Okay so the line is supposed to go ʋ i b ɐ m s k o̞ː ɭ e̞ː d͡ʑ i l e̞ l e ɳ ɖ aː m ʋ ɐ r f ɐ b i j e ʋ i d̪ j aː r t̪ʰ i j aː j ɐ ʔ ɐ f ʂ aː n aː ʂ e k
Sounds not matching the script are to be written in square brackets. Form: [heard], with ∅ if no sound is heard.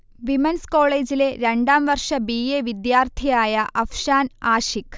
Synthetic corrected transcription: ʋ i [m] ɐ [n] s k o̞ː ɭ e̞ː d͡ʑ i l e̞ [ɾ] e ɳ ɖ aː m ʋ ɐ r [ʂ] ɐ b i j e ʋ i d̪ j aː r t̪ʰ i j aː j ɐ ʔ ɐ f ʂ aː n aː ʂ [i] k